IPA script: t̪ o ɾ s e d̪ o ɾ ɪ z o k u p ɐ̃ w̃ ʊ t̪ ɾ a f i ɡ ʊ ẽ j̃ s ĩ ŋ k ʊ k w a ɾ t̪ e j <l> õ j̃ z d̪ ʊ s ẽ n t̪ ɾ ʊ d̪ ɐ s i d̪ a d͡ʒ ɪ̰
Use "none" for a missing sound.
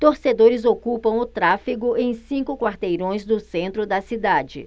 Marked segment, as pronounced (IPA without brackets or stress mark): ɾ